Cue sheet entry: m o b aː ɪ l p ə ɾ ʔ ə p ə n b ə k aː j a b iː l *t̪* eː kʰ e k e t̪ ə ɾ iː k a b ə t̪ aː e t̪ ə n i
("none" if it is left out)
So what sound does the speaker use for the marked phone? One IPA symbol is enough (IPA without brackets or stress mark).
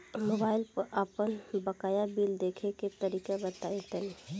d̪